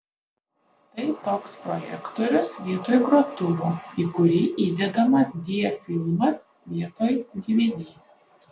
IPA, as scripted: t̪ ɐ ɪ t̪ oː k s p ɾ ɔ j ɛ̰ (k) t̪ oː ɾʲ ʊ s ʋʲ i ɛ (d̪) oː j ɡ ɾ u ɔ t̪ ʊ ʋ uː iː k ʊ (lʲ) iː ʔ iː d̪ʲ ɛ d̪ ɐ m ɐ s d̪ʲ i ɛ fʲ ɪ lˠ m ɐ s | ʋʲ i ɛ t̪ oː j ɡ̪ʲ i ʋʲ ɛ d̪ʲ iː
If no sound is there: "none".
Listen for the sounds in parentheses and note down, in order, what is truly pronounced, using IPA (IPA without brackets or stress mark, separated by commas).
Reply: k, t̪, ɾʲ